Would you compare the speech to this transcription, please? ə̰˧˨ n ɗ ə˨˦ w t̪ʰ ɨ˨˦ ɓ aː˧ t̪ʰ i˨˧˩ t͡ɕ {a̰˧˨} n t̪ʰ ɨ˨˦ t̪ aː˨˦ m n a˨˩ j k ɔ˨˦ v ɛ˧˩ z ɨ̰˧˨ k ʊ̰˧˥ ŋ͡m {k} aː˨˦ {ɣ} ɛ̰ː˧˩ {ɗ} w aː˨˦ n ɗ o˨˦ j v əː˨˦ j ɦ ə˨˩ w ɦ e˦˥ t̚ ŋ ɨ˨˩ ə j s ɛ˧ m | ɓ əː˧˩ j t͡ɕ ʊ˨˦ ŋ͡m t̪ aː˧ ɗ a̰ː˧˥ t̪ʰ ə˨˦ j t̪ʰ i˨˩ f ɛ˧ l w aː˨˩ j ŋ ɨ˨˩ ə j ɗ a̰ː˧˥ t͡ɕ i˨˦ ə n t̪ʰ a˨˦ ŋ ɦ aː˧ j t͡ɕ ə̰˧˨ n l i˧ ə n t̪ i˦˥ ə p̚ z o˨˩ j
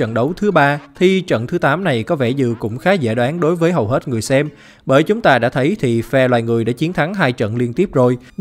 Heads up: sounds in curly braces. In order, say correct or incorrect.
incorrect: ə̰˧˨, incorrect: x, incorrect: z, correct

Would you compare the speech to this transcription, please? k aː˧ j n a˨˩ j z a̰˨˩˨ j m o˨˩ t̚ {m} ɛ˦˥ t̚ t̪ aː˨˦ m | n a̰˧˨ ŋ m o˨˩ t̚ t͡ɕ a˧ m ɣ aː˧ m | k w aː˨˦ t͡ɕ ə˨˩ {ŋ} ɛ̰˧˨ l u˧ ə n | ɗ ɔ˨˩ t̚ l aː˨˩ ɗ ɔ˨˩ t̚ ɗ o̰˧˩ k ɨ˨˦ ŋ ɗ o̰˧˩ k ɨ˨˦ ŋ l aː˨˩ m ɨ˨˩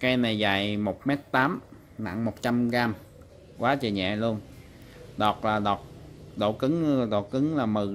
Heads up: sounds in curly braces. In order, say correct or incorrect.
correct, incorrect: ɲ

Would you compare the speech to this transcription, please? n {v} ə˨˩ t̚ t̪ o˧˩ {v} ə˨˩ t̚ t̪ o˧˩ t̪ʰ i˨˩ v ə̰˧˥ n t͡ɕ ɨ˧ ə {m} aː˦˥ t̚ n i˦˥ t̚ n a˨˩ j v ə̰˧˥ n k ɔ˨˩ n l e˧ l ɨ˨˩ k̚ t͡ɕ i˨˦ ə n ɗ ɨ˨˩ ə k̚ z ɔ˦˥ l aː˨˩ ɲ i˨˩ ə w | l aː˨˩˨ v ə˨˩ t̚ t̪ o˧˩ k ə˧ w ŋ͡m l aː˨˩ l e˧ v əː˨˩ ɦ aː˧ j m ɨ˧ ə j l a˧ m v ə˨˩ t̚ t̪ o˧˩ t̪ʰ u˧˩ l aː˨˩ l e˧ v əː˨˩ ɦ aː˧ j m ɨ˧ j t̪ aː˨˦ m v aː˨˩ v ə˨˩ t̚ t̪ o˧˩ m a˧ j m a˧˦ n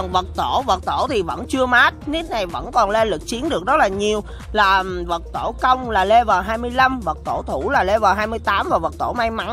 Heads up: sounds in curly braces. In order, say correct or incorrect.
correct, correct, correct

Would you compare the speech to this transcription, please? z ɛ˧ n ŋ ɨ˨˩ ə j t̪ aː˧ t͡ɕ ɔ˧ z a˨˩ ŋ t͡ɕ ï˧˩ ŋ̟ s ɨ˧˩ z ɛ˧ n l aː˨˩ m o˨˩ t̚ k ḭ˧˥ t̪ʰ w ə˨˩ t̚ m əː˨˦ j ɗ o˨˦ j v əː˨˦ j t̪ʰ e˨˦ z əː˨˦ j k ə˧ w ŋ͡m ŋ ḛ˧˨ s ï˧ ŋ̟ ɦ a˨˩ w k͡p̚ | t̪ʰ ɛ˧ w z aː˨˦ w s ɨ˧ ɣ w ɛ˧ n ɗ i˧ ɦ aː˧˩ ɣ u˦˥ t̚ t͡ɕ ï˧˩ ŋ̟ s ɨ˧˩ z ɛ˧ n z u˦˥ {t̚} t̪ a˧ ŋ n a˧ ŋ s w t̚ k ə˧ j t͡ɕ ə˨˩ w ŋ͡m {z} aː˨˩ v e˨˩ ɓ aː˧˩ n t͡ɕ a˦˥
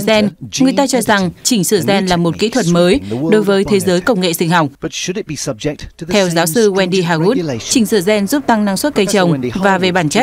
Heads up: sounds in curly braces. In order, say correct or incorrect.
incorrect: p̚, incorrect: v

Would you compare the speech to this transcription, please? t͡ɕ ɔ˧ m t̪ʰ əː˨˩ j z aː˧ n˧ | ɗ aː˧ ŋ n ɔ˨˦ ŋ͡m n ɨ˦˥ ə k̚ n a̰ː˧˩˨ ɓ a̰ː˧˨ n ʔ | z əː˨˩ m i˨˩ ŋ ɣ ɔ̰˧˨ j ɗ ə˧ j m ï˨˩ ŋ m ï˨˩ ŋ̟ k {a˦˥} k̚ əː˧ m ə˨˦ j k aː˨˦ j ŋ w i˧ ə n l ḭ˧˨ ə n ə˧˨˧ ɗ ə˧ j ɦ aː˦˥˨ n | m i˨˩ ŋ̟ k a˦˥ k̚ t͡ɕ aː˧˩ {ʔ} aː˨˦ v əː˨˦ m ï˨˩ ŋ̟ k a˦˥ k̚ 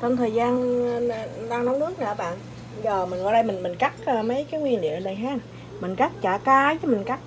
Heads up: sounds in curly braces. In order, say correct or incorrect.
correct, incorrect: k

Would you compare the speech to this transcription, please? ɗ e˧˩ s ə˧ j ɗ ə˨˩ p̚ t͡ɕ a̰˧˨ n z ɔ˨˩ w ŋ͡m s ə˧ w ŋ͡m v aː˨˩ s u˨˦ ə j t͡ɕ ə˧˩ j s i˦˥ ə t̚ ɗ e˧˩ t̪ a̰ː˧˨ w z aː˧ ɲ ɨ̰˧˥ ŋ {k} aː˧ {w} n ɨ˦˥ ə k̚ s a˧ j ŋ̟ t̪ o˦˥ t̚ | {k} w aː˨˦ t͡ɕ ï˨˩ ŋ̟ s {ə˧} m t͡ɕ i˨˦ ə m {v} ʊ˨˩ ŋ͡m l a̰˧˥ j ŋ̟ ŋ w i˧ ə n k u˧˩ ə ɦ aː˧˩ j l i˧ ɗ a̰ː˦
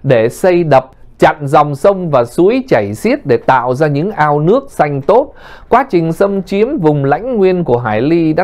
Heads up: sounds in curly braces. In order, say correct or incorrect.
incorrect: ʔ, correct, correct, correct, correct

